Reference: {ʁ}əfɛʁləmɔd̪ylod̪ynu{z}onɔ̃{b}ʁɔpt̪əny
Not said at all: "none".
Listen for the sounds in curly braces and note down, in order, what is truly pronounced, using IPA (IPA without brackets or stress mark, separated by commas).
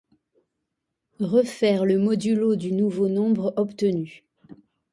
ʁ, v, b